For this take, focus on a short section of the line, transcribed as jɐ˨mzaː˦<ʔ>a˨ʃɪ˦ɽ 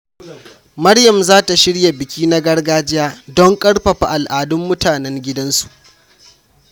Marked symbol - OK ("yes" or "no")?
no